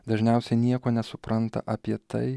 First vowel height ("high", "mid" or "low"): low